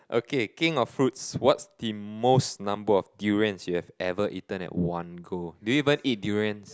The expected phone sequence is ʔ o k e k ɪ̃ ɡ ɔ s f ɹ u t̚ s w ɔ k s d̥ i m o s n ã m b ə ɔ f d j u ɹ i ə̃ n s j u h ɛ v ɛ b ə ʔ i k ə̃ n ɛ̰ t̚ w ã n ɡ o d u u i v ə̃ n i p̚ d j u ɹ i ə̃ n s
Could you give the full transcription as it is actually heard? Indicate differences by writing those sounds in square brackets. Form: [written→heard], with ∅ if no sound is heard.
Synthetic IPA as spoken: ʔ o k e k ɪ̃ [ɡ→ŋ] ɔ [s→f] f ɹ u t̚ s w ɔ [k→t] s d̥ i m o s n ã m b ə ɔ f d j u ɹ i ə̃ n s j u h ɛ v ɛ [b→v] ə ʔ i [k→t] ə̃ n ɛ̰ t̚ w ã n ɡ o d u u i v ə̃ n i [p̚→t̚] d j u ɹ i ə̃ n s